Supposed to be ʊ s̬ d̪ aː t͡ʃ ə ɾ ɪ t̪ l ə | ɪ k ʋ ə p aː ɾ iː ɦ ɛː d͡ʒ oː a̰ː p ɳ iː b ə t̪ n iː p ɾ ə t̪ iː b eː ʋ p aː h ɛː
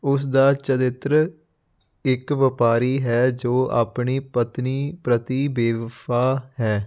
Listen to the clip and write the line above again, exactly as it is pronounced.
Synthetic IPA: ʊ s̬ d̪ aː t͡ʃ ə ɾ ɪ t̪ ɾ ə | ɪ k ʋ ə p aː ɾ iː ɦ ɛː d͡ʒ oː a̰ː p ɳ iː p ə t̪ n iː p ɾ ə t̪ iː b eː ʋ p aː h ɛː